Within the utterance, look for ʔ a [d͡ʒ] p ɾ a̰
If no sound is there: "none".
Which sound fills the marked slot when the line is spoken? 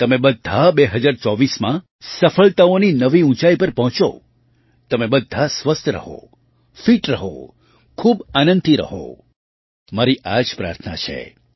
d͡ʒ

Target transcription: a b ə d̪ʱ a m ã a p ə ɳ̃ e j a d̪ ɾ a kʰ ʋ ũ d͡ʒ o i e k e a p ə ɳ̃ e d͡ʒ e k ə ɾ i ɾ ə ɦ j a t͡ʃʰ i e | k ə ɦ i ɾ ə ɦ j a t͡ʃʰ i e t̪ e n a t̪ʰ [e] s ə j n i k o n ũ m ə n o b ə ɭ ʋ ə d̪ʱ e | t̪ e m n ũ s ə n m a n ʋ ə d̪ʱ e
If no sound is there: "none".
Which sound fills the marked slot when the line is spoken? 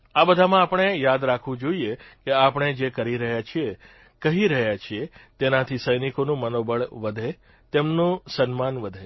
i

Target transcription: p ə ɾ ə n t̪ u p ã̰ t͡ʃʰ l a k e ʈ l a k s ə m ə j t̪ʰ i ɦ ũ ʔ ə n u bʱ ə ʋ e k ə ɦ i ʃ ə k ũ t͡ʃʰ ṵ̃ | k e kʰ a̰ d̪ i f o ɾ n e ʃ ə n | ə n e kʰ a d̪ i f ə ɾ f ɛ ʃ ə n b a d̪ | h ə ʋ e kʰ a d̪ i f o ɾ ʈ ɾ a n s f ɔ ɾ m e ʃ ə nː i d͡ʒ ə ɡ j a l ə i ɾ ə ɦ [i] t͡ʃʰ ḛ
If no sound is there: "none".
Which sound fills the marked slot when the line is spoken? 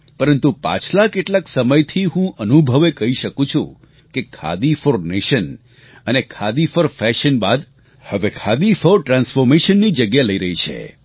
i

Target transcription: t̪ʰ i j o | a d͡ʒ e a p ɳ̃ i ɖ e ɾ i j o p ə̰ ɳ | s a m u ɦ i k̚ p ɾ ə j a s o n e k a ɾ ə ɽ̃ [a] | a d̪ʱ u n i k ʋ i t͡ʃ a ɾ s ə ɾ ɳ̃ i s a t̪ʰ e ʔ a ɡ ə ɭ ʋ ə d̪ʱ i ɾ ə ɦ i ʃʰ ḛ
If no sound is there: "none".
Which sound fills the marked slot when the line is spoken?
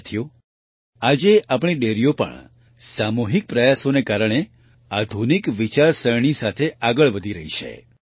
e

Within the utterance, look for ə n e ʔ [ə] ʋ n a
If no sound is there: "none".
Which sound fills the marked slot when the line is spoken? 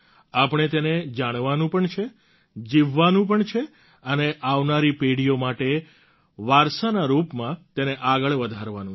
a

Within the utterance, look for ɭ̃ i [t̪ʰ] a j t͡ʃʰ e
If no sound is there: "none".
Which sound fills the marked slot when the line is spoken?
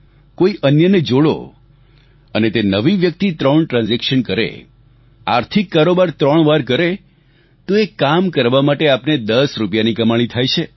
t̪ʰ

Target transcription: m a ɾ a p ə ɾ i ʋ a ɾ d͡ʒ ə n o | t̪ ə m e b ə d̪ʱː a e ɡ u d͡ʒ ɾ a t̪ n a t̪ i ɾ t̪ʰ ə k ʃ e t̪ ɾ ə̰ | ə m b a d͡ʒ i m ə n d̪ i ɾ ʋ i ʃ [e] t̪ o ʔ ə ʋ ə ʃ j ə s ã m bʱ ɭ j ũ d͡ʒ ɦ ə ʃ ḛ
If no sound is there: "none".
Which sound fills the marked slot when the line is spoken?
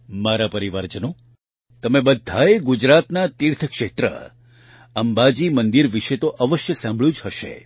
e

